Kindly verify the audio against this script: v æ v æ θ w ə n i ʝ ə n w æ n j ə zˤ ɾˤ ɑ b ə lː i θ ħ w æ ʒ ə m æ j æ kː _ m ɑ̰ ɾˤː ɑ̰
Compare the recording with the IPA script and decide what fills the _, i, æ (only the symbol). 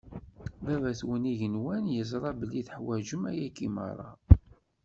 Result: i